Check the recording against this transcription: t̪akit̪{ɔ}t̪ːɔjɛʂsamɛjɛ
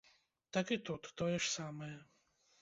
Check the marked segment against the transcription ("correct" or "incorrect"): incorrect